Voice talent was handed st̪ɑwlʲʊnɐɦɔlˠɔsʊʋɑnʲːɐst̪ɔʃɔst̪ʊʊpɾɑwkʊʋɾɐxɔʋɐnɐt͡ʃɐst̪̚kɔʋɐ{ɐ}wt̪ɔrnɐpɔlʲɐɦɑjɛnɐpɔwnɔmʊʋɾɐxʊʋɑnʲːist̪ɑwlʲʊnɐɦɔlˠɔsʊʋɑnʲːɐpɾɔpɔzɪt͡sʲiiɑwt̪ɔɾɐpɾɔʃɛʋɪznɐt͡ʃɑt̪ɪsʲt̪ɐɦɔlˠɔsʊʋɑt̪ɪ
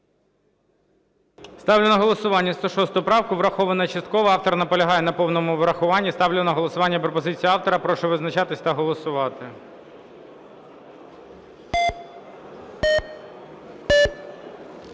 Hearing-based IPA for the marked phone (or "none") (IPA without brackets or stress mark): ɑ